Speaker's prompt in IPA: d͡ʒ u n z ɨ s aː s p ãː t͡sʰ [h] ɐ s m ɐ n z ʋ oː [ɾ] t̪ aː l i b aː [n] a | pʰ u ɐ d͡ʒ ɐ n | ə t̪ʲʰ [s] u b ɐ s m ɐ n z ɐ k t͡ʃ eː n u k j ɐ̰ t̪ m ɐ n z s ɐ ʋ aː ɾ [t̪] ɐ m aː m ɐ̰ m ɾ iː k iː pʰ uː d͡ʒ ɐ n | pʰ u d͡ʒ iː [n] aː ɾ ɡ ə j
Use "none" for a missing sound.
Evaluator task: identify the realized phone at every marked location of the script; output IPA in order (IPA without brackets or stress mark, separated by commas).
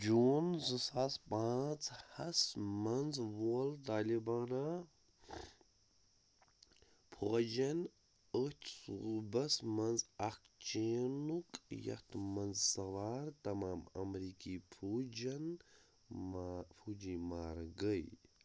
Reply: h, l, n, s, t̪, m